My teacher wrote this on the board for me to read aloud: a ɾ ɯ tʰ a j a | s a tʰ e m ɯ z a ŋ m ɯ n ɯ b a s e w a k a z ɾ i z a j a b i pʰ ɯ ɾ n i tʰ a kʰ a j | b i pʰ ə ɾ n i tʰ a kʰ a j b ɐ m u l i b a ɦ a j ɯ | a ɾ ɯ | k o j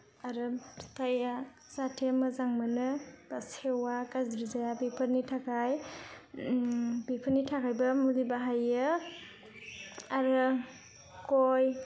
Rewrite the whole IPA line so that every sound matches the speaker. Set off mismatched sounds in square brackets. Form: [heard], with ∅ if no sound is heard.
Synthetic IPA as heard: a ɾ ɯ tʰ a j a | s a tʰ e m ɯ z a ŋ m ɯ n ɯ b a s e w a k a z ɾ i z a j a b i pʰ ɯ ɾ n i tʰ a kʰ a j | b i pʰ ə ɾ n i tʰ a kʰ a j b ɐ m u l i b a ɦ a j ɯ | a ɾ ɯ | k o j